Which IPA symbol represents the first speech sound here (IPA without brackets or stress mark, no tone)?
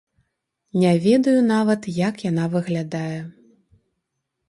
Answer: nʲ